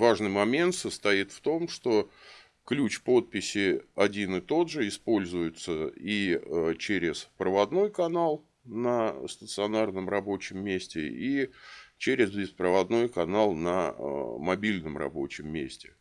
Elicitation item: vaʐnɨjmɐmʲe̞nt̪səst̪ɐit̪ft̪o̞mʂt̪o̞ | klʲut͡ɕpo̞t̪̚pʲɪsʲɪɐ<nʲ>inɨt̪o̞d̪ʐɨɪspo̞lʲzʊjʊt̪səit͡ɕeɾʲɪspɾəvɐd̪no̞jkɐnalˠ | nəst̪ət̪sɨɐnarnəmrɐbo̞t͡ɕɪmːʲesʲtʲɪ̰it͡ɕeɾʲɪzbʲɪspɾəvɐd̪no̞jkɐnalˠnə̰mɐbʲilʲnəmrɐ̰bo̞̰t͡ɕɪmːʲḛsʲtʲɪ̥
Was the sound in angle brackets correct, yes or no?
no